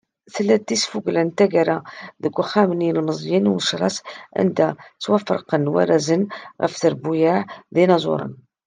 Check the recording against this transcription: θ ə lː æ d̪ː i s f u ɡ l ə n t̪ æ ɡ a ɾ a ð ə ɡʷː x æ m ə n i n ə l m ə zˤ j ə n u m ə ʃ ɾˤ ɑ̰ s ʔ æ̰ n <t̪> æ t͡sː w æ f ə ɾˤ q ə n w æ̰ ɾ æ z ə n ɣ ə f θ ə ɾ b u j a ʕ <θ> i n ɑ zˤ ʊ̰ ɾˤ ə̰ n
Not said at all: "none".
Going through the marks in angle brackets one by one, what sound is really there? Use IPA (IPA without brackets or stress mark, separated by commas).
d̪, ð